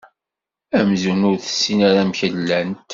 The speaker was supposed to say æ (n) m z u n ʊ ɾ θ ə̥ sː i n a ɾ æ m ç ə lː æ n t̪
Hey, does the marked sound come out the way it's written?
no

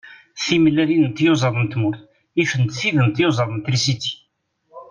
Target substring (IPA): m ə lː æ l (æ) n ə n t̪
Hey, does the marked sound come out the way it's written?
no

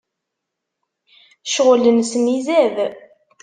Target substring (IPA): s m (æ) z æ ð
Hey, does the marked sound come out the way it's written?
no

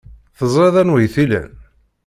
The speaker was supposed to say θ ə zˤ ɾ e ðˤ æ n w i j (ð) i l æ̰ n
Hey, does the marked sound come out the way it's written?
no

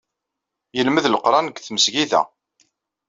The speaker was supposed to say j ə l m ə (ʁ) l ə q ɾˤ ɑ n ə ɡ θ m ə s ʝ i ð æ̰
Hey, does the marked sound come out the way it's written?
no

